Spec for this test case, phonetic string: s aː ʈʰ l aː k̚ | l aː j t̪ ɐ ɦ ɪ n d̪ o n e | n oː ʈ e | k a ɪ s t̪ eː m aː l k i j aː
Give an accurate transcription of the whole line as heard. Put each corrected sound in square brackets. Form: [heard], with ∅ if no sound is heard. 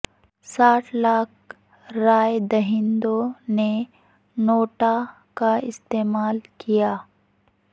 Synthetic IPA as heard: s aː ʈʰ l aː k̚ | [ɾ] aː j [d̪] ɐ ɦ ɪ n d̪ o n e | n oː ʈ [a] | k a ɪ s t̪ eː m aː l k i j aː